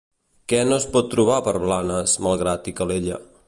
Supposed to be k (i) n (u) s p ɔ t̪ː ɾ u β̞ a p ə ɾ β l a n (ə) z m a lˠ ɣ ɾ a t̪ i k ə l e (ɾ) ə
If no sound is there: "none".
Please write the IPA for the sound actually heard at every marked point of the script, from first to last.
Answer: ɛ, o, ə, ʎ

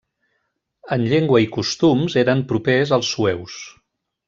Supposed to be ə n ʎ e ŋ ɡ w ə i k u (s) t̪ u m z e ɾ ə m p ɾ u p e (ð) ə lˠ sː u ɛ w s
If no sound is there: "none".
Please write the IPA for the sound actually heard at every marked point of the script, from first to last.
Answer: s, z

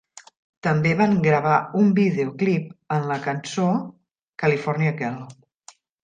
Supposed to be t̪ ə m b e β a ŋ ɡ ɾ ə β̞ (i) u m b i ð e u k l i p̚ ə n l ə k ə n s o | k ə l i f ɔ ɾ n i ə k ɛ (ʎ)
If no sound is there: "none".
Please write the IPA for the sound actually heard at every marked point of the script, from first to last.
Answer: a, l

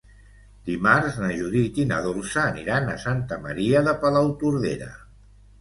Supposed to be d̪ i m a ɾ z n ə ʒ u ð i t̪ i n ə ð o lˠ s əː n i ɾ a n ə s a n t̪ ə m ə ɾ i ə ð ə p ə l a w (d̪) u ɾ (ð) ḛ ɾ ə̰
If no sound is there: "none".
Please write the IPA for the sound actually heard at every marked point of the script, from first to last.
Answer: t̪, ð

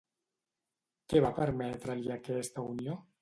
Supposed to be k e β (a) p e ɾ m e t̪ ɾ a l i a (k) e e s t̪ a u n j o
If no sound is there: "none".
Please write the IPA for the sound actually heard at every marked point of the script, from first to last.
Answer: a, k

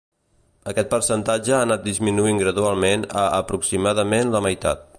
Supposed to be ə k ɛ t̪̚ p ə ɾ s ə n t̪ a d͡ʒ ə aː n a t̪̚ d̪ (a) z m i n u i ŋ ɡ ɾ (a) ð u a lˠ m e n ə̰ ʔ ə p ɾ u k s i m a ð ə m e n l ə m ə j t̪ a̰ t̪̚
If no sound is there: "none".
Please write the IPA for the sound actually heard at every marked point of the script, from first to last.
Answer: i, ə

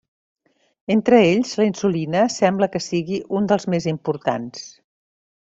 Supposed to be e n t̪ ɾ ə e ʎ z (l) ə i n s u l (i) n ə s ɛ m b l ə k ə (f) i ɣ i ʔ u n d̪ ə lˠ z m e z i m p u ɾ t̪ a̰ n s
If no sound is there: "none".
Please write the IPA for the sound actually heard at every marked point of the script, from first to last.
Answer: l, i, s

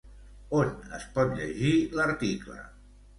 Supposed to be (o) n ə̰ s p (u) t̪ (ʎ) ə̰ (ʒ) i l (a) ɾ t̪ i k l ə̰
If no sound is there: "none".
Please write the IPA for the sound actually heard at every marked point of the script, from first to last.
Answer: o, ɔ, ʎ, ʒ, ə

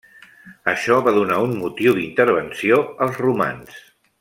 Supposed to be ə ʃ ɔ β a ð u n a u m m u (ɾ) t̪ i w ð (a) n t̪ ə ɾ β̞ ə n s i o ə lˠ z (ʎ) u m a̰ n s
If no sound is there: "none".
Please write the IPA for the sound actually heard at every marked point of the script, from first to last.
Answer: none, i, r

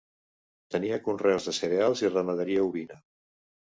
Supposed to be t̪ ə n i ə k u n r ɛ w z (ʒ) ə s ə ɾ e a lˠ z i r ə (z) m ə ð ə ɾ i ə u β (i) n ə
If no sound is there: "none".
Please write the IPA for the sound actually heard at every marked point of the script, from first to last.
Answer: ð, none, i

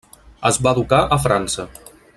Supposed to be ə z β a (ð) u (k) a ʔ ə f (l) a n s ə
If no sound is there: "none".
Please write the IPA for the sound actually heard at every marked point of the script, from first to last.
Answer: ð, k, ɾ

